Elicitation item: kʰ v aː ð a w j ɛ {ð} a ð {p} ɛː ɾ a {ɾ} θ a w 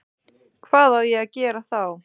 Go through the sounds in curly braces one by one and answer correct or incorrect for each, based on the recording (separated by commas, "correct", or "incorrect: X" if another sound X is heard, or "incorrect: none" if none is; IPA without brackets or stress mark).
incorrect: ɣ, incorrect: c, incorrect: none